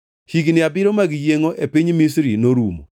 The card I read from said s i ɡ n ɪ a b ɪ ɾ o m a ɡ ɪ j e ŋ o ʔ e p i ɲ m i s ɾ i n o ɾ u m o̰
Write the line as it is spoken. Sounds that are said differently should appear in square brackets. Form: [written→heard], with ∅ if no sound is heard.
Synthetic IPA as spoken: [s→h] i ɡ n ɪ a b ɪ ɾ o m a ɡ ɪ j e ŋ o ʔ e p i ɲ m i s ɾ i n o ɾ u m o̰